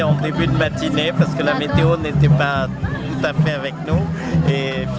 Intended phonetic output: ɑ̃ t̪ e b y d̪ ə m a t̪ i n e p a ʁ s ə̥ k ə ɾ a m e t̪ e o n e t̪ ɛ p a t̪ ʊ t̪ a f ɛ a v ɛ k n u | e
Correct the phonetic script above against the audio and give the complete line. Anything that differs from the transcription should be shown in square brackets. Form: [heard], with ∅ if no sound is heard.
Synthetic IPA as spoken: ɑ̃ [d̪] e b y d̪ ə m a t̪ i n e p a ʁ s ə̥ k ə [l] a m e t̪ e o n e t̪ ɛ p a t̪ [u] t̪ a f ɛ a v ɛ k n u | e